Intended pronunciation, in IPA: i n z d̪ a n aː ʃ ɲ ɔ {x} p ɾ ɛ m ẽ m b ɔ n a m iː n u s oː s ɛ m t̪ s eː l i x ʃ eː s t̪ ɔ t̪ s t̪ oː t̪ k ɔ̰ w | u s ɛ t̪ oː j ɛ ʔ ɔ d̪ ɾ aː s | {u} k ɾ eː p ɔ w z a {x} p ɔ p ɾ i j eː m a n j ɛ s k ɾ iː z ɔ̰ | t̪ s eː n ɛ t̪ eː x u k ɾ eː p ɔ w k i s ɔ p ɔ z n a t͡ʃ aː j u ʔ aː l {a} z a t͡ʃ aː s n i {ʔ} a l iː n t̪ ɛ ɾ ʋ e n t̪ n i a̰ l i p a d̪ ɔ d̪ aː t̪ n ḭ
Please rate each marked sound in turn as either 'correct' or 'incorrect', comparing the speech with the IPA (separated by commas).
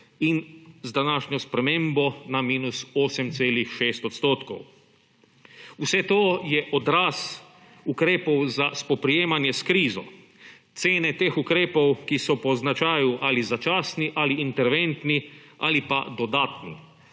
incorrect, correct, incorrect, incorrect, correct